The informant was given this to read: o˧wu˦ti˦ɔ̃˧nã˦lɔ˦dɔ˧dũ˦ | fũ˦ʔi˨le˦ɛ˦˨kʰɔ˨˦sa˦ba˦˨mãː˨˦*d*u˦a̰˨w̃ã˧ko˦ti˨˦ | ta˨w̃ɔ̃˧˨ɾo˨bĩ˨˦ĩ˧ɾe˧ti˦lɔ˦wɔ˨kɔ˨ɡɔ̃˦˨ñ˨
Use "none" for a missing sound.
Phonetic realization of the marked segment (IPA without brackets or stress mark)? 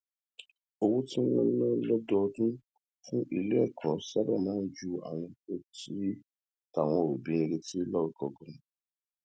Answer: d͡ʒ